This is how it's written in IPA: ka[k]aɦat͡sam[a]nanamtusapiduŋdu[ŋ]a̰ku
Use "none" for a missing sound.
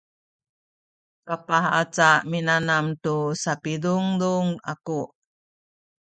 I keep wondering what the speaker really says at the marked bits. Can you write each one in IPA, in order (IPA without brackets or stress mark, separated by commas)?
p, i, ŋ